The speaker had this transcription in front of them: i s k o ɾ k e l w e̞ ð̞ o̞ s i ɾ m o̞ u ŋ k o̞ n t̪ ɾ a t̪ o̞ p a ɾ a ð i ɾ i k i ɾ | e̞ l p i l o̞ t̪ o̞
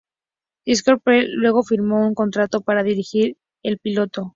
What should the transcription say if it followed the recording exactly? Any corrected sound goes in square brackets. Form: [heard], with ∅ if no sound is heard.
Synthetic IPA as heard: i s k o ɾ [p] e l w e̞ [ɣ̞] o̞ [f] i ɾ m o̞ u ŋ k o̞ n t̪ ɾ a t̪ o̞ p a ɾ a ð i ɾ i [x] i ɾ | e̞ l p i l o̞ t̪ o̞